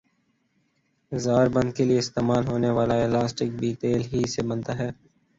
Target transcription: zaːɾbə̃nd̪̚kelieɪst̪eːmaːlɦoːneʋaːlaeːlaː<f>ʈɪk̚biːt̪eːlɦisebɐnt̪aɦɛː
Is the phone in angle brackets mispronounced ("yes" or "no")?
yes